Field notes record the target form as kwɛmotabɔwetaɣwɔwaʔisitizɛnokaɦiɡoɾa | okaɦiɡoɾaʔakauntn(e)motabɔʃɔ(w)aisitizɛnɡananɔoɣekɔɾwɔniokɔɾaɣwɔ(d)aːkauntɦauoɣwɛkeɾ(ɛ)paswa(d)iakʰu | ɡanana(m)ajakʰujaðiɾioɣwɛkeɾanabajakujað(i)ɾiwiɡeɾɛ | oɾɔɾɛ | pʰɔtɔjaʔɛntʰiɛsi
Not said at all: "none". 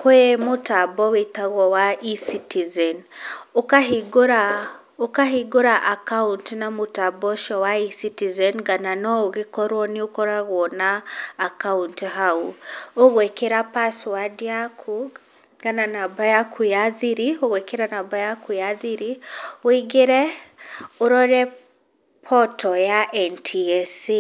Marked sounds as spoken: a, w, n, a, d, b, i

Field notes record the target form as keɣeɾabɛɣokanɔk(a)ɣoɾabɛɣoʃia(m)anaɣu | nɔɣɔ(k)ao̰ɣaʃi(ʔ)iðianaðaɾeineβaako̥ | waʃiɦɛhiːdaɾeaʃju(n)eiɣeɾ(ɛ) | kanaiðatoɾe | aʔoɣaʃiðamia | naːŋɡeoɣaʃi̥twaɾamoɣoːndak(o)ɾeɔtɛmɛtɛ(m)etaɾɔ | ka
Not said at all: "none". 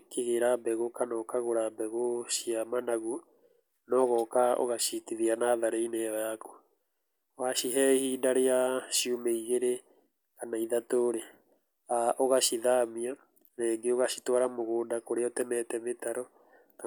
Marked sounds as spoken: a, m, k, t, m, e, o, m

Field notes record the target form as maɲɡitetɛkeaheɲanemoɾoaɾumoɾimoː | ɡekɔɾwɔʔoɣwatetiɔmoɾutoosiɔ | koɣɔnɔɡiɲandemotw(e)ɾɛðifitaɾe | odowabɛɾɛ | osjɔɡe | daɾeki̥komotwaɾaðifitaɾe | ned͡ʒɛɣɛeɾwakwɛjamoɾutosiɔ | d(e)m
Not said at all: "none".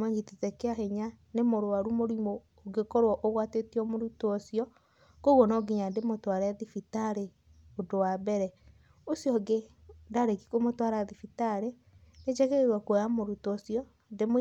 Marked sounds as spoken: a, e

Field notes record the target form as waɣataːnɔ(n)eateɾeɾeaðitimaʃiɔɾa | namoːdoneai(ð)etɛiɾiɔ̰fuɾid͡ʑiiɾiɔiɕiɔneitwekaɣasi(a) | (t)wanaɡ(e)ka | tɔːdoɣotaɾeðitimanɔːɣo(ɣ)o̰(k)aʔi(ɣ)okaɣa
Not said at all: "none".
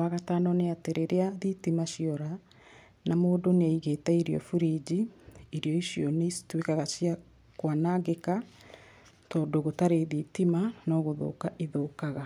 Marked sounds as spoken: n, ɣ, a, k, e, ð, k, ð

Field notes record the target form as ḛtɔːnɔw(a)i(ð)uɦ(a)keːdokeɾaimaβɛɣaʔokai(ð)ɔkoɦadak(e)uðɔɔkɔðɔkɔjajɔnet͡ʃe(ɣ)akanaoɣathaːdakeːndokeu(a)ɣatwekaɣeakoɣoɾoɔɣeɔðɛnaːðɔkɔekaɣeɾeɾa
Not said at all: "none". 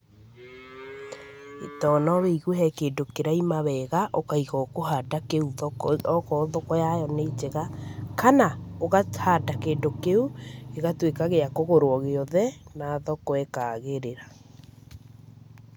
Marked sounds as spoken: e, ɣ, ɛ, ɣ, e, ɣ, e

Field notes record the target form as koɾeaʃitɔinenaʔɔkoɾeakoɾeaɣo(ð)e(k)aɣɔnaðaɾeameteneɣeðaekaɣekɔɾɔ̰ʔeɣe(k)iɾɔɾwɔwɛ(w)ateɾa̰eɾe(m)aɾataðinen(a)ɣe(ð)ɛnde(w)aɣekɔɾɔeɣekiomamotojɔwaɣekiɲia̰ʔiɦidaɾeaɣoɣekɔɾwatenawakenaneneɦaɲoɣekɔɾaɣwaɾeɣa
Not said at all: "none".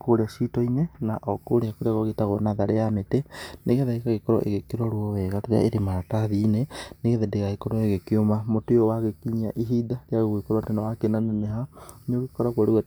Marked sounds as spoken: ɣ, t, k, ɣ, m, e, ð, ɣ

